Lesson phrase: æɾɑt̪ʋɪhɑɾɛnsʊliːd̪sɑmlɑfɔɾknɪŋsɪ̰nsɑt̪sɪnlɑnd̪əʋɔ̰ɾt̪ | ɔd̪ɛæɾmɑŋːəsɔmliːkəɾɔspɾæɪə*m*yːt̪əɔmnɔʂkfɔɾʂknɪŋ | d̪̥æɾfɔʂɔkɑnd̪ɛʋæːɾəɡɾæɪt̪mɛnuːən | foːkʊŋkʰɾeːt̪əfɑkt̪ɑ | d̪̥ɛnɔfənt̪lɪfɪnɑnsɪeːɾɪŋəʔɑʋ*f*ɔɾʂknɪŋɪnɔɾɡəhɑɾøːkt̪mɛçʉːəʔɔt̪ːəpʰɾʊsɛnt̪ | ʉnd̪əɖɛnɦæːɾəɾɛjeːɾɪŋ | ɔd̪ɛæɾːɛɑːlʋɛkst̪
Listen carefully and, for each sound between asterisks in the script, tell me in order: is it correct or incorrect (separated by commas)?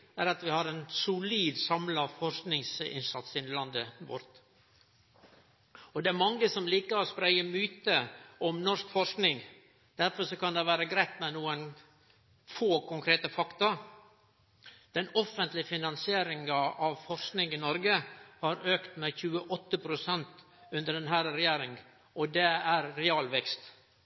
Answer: correct, correct